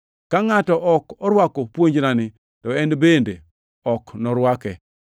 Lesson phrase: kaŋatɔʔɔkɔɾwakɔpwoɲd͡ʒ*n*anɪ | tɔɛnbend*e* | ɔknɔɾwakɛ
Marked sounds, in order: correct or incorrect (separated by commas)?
correct, correct